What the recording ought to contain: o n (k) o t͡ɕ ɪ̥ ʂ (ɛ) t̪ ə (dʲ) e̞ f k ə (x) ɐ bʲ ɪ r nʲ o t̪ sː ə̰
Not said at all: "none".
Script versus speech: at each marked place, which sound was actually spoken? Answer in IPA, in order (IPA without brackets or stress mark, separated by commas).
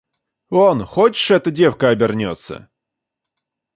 x, ɛ, dʲ, none